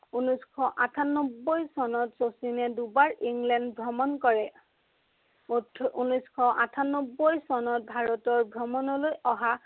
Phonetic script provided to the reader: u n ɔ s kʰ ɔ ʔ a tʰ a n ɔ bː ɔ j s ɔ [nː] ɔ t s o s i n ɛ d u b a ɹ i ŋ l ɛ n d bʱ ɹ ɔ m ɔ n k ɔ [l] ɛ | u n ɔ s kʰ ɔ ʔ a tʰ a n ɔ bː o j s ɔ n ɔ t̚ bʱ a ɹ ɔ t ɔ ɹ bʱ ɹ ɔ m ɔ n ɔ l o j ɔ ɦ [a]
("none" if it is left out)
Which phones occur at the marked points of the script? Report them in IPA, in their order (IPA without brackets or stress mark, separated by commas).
n, ɹ, a